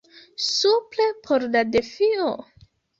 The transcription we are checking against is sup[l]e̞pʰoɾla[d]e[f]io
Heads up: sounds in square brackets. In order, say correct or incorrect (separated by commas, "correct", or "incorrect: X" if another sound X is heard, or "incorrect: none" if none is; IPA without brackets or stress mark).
correct, correct, correct